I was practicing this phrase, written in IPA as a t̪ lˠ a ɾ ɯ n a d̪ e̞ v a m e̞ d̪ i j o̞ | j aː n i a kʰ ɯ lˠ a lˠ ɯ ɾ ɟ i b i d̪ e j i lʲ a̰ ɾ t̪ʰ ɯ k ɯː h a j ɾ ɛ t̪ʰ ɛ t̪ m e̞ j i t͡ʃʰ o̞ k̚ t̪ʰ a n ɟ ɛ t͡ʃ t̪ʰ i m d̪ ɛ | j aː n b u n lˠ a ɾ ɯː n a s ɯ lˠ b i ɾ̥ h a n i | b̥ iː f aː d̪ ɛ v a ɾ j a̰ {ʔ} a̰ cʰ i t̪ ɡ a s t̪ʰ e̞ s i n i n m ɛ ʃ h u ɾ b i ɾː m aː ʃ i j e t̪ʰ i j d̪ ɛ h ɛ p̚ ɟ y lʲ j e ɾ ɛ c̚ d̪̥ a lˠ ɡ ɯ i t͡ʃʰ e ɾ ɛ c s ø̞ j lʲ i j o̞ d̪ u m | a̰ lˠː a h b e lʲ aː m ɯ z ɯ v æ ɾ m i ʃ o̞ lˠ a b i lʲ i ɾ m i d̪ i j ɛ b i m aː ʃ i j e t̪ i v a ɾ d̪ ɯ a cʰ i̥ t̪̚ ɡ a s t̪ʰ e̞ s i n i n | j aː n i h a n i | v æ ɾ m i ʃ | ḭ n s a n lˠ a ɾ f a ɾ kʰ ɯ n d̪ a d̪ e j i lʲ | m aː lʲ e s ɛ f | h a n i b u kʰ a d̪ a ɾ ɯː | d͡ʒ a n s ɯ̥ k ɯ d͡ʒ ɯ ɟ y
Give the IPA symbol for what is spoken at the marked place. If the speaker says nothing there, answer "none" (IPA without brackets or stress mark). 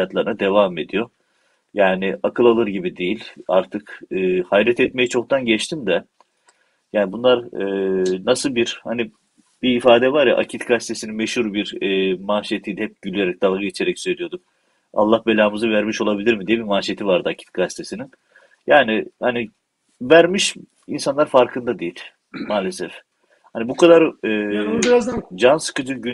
ʔ